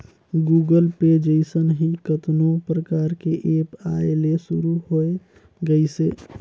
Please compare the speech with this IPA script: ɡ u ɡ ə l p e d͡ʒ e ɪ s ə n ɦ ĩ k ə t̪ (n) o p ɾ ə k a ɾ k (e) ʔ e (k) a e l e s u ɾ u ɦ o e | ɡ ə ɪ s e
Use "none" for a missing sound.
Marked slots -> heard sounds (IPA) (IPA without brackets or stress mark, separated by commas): n, e, p